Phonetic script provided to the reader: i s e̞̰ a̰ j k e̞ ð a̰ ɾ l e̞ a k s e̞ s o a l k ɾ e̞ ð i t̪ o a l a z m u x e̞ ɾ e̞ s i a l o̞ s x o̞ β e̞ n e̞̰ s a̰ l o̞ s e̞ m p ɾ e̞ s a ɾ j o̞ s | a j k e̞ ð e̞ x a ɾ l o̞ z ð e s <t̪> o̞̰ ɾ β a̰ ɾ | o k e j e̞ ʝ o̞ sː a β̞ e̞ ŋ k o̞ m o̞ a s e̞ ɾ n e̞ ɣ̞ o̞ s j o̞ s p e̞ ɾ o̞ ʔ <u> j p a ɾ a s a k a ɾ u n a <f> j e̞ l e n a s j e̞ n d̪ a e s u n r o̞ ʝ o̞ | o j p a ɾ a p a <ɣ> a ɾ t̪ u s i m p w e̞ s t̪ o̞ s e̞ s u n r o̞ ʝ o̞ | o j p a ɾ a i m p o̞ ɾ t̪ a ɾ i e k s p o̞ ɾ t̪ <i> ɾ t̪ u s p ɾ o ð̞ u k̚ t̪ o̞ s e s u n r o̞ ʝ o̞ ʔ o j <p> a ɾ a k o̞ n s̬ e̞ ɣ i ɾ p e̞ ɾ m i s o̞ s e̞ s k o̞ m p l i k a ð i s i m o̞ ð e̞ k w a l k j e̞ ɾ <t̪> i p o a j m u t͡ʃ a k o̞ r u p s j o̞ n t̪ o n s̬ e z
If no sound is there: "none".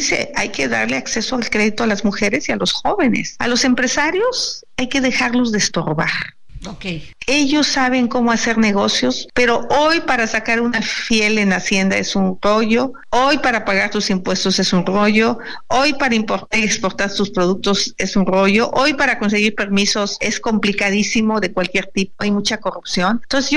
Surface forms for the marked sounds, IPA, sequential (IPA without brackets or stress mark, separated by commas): t̪, o, f, ɣ, a, p, t̪